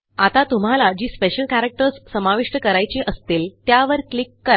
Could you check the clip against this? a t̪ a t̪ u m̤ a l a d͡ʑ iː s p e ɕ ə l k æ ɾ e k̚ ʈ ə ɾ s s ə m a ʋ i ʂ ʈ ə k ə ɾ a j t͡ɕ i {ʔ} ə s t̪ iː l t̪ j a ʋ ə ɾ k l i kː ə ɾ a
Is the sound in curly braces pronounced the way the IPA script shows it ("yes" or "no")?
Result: yes